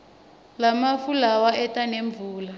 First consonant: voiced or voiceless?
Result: voiced